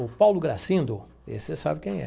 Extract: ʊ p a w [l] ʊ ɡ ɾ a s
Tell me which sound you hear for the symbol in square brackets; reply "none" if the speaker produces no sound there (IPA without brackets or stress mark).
l